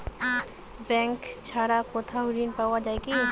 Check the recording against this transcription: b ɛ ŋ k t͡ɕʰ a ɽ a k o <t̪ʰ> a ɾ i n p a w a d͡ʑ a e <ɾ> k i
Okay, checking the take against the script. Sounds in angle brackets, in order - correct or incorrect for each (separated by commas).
correct, incorrect